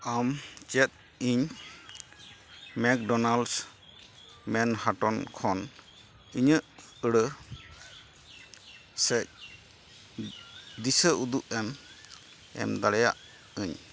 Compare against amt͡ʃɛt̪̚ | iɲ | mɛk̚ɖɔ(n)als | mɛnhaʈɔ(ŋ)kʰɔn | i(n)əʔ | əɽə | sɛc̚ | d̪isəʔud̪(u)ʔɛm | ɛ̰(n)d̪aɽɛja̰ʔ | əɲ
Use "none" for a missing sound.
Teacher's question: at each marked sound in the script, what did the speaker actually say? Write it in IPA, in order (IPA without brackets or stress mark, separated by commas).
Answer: n, n, ɲ, u, m